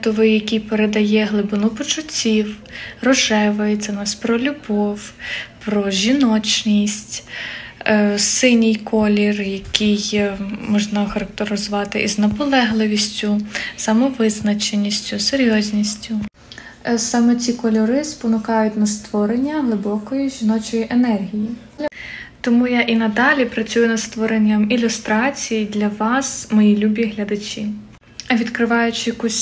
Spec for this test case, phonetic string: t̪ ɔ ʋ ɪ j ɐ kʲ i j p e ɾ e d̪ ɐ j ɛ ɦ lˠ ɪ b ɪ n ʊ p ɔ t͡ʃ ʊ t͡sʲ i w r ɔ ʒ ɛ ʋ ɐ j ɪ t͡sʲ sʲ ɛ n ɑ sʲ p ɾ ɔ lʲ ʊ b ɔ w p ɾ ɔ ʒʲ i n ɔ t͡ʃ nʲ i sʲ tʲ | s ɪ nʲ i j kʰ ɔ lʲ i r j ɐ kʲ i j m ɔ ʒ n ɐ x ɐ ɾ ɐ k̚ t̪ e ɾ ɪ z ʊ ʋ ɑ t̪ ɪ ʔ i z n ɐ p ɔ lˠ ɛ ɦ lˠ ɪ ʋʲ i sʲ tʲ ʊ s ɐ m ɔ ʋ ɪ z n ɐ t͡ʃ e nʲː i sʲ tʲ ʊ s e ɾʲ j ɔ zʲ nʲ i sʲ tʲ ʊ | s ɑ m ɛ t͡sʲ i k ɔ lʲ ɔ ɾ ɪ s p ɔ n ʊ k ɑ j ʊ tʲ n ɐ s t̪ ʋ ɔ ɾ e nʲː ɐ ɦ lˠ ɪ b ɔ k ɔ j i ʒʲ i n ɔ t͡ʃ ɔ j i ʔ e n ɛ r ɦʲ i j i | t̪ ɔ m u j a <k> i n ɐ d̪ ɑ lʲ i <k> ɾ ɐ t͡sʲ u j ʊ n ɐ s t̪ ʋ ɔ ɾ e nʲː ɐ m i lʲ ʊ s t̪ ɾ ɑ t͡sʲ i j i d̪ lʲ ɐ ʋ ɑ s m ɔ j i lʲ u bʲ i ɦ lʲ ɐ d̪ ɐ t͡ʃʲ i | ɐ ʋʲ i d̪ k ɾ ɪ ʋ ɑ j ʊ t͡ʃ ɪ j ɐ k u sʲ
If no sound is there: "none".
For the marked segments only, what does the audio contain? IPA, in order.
ʔ, p

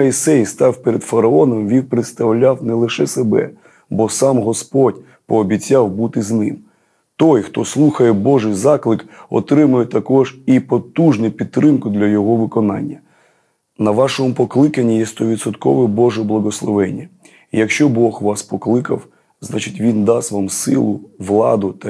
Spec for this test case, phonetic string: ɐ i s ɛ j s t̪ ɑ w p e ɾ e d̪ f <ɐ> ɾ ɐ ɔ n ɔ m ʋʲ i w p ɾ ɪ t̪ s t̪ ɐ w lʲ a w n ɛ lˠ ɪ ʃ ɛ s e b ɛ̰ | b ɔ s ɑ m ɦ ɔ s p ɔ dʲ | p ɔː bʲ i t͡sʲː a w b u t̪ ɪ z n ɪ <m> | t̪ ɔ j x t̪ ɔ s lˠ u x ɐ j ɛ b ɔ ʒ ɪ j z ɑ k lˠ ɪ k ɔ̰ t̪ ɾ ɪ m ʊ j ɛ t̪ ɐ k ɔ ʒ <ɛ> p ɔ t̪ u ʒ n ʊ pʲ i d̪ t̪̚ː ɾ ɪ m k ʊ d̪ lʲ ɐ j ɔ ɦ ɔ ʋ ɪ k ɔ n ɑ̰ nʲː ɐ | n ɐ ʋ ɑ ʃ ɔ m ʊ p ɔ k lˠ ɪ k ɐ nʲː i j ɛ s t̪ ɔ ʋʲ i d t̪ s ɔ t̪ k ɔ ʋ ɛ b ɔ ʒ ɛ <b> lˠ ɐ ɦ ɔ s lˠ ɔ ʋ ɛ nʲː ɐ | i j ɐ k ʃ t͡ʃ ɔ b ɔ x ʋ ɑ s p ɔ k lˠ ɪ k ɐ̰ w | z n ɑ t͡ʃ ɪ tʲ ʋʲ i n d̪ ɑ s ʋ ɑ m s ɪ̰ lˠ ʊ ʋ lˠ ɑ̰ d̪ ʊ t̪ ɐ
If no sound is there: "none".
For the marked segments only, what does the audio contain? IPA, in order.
ɐ, m, i, b

